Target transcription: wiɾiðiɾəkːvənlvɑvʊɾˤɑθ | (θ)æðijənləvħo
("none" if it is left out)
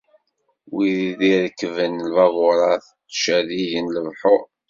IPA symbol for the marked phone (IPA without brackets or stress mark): ʃ